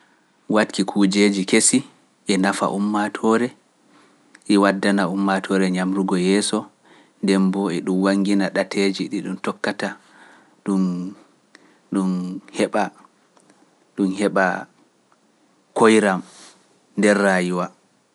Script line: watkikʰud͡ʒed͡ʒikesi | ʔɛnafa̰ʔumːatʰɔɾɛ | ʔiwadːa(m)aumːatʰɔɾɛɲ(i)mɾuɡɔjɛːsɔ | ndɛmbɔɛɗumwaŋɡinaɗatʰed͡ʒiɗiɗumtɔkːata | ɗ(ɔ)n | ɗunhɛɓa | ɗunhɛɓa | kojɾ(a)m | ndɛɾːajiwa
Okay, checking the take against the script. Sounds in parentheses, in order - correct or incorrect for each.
incorrect, incorrect, incorrect, correct

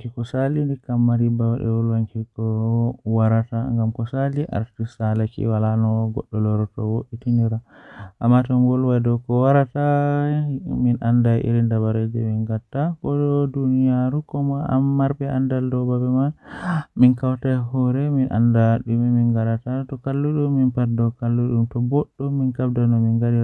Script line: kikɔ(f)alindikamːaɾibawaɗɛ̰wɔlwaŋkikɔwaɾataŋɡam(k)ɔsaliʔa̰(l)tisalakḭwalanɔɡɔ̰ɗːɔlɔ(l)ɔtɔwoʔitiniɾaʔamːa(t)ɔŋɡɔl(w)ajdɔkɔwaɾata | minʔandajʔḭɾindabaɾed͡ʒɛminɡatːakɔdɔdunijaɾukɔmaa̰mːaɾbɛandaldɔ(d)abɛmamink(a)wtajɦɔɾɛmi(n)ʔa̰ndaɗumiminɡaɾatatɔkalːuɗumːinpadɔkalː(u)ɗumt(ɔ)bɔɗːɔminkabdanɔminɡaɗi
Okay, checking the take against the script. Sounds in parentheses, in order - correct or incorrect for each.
incorrect, correct, incorrect, incorrect, correct, correct, incorrect, correct, correct, correct, correct

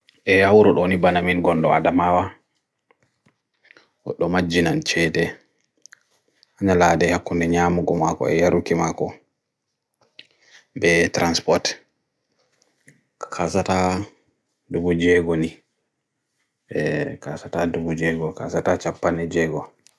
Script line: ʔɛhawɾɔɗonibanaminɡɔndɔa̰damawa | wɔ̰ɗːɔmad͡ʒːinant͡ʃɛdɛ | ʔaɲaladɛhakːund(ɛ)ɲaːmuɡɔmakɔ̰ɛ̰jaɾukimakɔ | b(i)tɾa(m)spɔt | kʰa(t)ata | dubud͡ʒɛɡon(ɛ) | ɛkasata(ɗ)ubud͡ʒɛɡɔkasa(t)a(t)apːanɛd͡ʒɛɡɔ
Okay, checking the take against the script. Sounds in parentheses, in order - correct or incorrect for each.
correct, incorrect, incorrect, incorrect, incorrect, incorrect, correct, incorrect

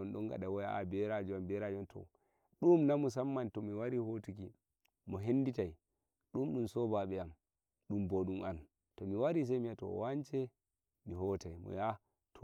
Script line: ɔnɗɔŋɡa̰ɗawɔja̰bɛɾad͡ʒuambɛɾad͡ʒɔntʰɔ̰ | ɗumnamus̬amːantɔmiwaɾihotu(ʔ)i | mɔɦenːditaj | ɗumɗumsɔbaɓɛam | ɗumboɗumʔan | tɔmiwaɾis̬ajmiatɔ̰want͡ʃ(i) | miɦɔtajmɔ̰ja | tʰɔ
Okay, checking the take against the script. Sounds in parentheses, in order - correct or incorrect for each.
incorrect, incorrect

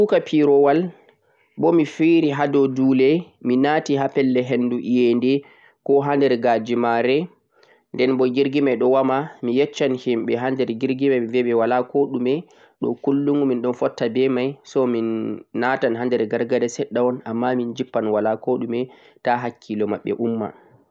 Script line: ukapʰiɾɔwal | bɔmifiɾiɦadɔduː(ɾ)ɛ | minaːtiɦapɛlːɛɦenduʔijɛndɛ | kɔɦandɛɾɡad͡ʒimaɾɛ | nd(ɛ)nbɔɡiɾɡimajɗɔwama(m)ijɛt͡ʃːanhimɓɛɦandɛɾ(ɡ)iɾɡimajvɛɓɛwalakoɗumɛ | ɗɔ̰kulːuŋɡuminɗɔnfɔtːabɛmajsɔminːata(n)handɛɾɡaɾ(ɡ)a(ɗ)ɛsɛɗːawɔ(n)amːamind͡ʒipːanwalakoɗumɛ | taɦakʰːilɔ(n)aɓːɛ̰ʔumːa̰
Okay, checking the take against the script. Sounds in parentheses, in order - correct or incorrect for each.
incorrect, correct, correct, correct, correct, correct, incorrect, correct, incorrect

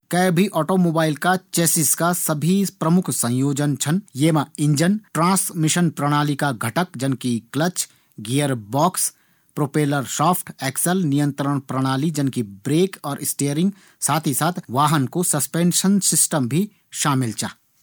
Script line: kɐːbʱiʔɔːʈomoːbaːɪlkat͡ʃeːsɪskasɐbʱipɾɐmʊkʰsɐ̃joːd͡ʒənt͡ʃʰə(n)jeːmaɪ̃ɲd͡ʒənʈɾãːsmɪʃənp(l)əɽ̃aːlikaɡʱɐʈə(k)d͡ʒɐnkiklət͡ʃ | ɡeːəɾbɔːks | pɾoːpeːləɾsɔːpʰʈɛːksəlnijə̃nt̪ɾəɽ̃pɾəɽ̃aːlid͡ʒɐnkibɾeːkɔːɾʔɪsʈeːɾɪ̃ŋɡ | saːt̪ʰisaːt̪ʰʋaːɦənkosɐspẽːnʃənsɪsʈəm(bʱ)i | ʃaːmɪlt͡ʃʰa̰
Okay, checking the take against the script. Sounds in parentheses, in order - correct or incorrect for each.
correct, incorrect, correct, correct

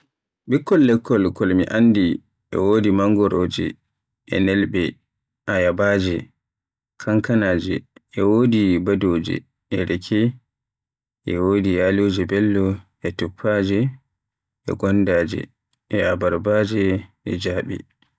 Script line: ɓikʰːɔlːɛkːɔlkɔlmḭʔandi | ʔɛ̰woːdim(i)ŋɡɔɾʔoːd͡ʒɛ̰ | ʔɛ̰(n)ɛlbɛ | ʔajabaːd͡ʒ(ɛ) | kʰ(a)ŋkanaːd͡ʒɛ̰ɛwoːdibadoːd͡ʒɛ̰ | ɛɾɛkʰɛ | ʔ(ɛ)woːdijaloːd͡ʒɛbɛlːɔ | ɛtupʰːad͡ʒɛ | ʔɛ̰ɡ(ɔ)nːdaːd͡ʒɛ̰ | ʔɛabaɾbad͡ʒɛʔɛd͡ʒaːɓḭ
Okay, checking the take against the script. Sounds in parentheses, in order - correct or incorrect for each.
incorrect, correct, correct, correct, correct, correct

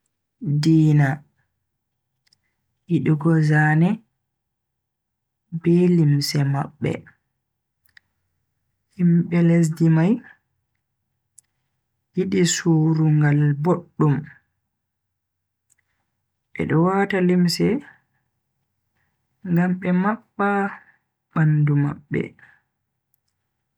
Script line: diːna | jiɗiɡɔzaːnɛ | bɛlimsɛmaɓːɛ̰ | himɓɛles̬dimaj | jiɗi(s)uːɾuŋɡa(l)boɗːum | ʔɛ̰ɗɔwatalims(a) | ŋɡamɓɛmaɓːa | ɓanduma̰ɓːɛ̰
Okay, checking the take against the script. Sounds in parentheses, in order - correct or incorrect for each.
correct, correct, incorrect

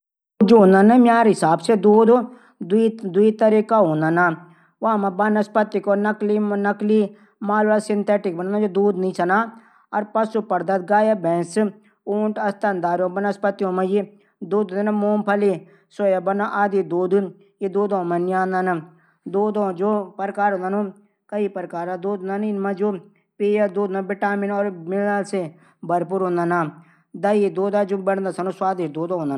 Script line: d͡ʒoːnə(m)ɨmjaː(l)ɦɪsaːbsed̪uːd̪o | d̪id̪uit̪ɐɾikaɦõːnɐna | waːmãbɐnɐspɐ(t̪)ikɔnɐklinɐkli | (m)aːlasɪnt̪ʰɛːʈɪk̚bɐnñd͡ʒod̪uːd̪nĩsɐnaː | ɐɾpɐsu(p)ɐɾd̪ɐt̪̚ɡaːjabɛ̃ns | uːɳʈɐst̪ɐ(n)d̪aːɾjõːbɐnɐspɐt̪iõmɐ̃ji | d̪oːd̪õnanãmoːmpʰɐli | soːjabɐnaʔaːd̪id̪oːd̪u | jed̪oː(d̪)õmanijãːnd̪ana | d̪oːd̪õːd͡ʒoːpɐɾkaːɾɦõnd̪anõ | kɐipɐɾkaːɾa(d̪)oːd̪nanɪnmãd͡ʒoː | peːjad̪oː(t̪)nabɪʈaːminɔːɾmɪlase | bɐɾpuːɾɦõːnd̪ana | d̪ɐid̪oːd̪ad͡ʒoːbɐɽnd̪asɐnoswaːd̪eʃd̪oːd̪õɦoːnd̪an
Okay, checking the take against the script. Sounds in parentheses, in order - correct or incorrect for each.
incorrect, incorrect, correct, correct, correct, correct, correct, correct, incorrect

